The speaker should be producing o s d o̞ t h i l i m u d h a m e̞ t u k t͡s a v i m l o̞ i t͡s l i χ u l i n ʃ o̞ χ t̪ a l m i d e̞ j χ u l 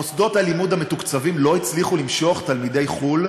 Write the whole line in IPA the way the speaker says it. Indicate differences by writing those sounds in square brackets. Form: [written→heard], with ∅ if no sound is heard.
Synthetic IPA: o s d o̞ t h [i→a] l i m u d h a m e̞ t u k t͡s a v i m l o̞ i t͡s l i χ u l i [n→m] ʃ o̞ χ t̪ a l m i d e̞ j χ u l